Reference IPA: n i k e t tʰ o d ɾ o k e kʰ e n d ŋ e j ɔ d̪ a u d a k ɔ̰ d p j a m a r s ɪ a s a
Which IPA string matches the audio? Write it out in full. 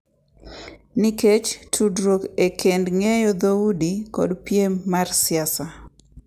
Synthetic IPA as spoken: n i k e t͡ʃ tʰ u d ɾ o k e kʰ e n d ŋ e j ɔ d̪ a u d i k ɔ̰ d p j e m a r s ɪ a s a

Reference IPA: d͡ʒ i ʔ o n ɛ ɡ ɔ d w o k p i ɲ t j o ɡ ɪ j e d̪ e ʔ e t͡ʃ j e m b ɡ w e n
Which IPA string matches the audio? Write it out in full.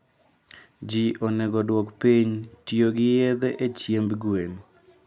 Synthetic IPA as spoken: d͡ʒ i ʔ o n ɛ ɡ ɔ d w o k p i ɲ t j o ɡ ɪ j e d̪ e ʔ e t͡ʃ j e m b ɡ w e n

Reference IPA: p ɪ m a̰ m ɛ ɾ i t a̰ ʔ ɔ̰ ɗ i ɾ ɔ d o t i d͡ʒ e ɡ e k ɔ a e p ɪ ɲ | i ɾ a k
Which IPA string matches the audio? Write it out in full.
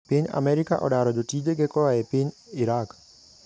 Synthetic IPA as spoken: p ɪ ɲ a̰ m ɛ ɾ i k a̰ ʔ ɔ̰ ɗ a ɾ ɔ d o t i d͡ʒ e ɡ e k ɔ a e p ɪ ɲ | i ɾ a k

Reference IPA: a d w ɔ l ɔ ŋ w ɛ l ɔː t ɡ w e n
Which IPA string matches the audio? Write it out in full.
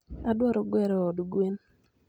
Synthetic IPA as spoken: a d w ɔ ɾ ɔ ɡ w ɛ ɾ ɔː d ɡ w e n

